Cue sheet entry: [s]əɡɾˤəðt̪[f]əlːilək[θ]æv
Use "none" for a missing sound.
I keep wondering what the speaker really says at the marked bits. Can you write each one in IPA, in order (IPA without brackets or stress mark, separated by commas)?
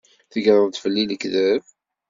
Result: θ, f, ð